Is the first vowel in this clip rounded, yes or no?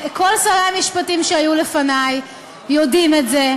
yes